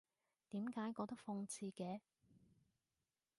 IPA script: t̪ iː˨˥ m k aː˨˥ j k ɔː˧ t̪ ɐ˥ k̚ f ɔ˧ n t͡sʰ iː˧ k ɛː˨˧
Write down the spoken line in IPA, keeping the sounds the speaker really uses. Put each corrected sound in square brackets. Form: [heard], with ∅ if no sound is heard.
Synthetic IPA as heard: t̪ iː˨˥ m k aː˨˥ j k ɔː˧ t̪ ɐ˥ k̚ f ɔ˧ [ŋ] t͡sʰ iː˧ k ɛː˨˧